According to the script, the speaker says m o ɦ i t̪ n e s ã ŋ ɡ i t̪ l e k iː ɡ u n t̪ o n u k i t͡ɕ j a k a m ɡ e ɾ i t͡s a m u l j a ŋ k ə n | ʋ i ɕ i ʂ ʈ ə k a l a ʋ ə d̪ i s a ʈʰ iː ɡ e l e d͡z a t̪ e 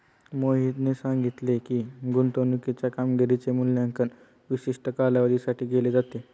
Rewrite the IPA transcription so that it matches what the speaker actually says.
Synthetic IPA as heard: m o ɦ i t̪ n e s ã ŋ ɡ i t̪ l e k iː ɡ u n t̪ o n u k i t͡ɕ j a k a m ɡ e ɾ i t͡s e m u l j a ŋ k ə n | ʋ i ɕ i ʂ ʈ ə k a l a ʋ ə d̪ i s a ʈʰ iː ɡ e l e d͡z a t̪ e